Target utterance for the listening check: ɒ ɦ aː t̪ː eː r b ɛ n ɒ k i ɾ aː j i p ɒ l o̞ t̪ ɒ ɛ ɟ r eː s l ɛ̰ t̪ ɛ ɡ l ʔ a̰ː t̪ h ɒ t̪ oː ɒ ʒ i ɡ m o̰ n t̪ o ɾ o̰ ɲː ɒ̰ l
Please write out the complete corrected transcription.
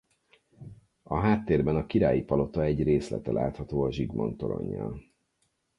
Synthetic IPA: ɒ ɦ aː t̪ː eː r b ɛ n ɒ k i ɾ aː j i p ɒ l o̞ t̪ ɒ ɛ ɟ r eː s l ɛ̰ t̪ ɛ l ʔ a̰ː t̪ h ɒ t̪ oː ɒ ʒ i ɡ m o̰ n t̪ o ɾ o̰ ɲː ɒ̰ l